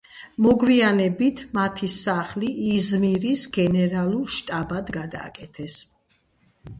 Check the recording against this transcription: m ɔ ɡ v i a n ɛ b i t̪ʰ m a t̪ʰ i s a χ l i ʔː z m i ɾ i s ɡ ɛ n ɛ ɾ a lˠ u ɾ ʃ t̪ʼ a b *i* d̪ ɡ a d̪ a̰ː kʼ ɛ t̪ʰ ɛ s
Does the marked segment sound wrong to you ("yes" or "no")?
yes